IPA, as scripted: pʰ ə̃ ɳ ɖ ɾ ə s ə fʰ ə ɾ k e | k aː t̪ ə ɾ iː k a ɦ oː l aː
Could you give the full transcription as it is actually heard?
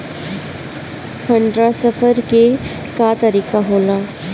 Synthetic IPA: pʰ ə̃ ɳ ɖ ɾ a s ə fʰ ə ɾ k e | k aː t̪ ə ɾ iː k a ɦ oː l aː